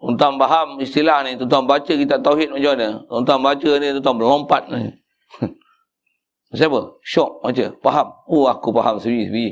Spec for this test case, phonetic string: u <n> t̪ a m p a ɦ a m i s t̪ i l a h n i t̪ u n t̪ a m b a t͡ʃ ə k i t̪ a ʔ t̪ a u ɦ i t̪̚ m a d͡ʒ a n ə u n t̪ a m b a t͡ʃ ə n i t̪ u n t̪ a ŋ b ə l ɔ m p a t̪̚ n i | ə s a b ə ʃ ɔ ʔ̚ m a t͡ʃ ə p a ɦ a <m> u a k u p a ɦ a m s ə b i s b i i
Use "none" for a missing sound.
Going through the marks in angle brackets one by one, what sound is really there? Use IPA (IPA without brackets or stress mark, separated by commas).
n, m